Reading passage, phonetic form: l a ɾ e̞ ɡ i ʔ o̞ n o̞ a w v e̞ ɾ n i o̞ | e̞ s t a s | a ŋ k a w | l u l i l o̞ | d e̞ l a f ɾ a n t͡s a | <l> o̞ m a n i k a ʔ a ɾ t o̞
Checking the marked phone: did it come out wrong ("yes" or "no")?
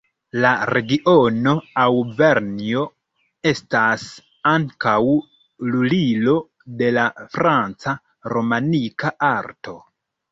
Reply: yes